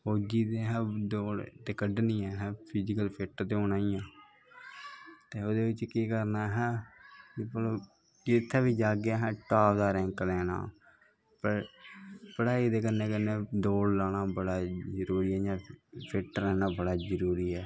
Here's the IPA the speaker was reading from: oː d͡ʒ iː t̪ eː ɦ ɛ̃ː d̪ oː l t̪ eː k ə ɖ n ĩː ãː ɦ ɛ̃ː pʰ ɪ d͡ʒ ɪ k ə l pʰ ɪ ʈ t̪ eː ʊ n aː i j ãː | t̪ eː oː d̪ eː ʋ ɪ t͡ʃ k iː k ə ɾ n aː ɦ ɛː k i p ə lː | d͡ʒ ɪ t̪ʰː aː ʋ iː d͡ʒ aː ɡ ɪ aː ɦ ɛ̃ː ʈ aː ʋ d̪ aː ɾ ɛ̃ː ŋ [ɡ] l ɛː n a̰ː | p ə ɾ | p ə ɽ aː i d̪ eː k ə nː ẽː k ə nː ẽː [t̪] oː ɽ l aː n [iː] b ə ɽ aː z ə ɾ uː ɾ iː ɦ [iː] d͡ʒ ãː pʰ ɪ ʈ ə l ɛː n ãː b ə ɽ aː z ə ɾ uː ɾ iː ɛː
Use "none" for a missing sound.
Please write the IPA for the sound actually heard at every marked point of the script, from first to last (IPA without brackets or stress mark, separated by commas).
k, d̪, aː, ɛː